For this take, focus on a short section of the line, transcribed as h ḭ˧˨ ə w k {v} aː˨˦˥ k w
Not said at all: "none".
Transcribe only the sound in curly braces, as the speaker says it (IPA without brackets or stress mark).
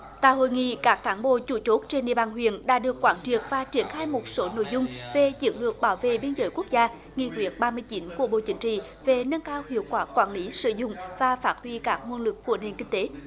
w